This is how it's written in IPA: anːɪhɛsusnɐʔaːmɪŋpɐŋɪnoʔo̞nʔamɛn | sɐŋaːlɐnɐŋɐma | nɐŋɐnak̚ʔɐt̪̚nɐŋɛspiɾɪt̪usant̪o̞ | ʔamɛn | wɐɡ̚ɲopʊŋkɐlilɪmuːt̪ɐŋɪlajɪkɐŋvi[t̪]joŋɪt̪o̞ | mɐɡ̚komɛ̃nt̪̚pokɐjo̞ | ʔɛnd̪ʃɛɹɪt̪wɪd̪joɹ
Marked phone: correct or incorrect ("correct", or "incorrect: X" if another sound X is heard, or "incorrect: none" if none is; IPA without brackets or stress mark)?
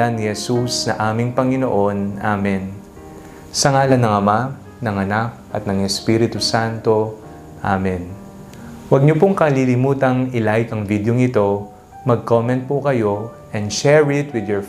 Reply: incorrect: d̪